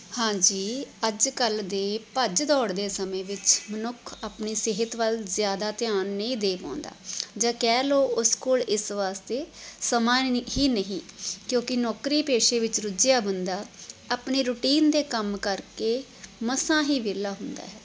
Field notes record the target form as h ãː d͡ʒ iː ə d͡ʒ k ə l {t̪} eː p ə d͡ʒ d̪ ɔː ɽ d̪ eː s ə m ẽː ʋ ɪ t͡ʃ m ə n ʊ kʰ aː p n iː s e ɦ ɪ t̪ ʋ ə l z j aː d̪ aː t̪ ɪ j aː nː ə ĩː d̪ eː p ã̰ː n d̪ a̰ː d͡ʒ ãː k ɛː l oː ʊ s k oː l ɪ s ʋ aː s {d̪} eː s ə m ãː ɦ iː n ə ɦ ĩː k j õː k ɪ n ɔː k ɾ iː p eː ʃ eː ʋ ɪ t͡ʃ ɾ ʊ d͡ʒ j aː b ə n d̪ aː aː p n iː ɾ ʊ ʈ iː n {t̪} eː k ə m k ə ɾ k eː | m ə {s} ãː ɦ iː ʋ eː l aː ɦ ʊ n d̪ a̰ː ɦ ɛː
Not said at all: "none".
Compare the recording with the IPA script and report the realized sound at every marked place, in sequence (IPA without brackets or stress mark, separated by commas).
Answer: d̪, t̪, d̪, s